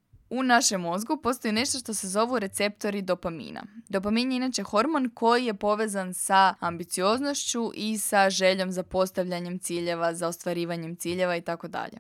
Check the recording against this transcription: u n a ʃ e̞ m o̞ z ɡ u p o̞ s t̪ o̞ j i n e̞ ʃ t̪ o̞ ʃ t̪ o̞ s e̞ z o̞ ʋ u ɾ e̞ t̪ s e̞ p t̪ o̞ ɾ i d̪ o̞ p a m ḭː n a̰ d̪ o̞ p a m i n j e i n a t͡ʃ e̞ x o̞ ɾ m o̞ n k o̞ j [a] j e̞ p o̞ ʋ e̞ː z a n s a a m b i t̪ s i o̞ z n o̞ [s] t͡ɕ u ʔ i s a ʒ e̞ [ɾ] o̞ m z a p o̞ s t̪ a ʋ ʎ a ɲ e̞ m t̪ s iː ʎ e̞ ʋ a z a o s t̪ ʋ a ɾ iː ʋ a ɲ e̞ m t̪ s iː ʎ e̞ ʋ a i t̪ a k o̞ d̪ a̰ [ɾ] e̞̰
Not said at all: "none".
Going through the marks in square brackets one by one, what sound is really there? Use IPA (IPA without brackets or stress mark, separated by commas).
i, ʃ, ʎ, ʎ